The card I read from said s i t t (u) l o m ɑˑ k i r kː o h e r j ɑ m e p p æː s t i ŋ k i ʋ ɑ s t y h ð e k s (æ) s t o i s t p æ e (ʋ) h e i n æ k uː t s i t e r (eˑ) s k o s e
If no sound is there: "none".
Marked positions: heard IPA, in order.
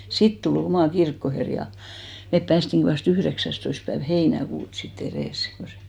u, æ, ʋ, eˑ

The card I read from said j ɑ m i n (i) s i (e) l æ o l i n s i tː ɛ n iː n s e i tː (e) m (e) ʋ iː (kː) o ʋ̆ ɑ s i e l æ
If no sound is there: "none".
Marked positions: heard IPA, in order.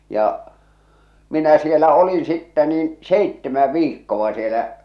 æ, e, e, æ, kː

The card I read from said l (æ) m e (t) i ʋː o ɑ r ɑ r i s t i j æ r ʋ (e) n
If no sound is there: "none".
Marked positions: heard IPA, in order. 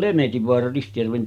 e, t, e

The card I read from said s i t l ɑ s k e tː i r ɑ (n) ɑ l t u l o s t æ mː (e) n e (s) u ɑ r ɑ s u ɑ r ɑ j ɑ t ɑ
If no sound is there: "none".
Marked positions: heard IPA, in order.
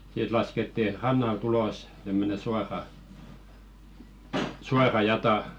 nː, ø, s

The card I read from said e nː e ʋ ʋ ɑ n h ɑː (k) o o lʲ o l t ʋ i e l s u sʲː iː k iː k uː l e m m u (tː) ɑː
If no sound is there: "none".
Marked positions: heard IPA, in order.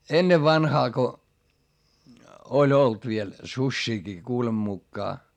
k, kː

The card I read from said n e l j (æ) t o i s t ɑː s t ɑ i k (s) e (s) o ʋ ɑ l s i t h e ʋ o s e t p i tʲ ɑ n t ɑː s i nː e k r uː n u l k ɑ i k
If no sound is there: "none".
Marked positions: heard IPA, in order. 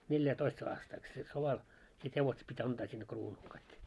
æ, s, s

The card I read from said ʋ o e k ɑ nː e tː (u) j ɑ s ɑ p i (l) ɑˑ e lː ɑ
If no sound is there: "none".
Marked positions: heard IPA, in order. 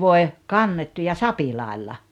u, l

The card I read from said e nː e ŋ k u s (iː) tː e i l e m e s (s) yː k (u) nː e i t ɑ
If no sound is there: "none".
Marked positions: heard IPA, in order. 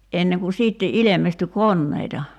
iː, t, o

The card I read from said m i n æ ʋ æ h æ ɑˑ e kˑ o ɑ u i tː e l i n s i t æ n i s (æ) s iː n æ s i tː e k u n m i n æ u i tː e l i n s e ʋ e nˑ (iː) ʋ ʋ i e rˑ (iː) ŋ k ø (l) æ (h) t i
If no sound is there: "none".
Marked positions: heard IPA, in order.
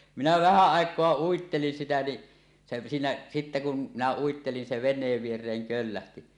e, eː, eː, lː, h

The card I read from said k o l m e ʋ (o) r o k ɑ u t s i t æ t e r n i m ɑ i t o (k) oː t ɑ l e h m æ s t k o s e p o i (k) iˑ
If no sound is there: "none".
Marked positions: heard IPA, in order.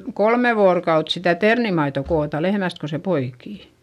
oː, k, k

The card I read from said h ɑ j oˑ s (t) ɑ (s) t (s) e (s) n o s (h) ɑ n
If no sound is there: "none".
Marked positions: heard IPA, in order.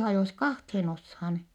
k, h, h, none, h

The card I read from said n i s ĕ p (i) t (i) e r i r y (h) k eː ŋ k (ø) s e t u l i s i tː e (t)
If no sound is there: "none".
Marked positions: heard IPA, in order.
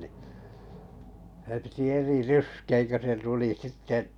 i, i, s, ø, ʔ

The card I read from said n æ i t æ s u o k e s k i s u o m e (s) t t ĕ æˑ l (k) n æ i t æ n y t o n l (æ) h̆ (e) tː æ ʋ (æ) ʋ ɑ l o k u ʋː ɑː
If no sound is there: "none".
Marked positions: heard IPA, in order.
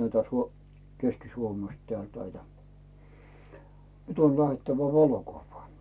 s, t, æ, e, æ

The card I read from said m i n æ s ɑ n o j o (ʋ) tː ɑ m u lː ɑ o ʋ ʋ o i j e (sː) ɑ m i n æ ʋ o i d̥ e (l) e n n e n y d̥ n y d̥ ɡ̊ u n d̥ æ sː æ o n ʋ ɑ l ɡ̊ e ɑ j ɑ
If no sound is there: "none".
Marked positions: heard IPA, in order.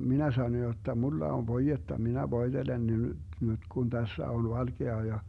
none, tː, l

